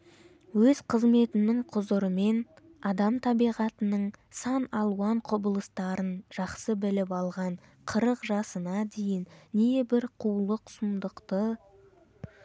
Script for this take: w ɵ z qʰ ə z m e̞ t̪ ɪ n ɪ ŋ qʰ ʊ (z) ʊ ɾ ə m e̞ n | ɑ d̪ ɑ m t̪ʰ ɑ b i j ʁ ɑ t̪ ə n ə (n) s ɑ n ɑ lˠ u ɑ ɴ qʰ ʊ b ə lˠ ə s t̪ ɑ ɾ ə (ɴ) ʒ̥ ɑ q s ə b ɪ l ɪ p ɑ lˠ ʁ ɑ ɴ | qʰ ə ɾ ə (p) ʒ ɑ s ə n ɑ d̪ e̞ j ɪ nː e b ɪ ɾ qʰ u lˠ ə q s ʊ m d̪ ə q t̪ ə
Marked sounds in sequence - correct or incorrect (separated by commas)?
correct, incorrect, incorrect, incorrect